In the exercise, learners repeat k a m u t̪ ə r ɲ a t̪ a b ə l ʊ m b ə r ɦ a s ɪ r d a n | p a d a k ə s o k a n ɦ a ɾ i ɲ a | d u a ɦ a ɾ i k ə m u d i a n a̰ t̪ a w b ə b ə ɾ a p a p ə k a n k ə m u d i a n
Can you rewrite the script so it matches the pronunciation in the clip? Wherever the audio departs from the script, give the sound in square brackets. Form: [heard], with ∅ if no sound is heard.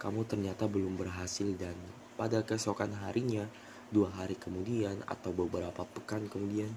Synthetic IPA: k a m u t̪ ə r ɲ a t̪ a b ə l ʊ m b ə r ɦ a s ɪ [l] d a n | p a d a k ə s o k a n ɦ a ɾ i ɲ a | d u a ɦ a ɾ i k ə m u d i a n a̰ t̪ a w b ə b ə ɾ a p a p ə k a n k ə m u d i a n